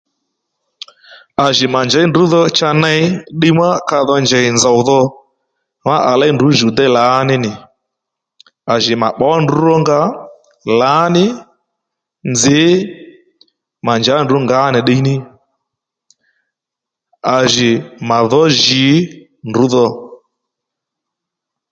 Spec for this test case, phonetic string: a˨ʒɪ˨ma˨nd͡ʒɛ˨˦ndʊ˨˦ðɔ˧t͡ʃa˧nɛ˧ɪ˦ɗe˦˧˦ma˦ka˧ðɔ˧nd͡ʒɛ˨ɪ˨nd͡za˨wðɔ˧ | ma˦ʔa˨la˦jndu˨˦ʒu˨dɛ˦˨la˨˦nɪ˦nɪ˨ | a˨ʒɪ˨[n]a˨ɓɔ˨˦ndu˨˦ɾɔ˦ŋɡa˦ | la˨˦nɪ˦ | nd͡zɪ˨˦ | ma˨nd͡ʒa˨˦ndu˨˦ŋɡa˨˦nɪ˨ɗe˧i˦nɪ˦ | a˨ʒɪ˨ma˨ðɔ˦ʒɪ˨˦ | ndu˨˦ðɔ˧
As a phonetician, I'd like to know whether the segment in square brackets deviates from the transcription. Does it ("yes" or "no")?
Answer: yes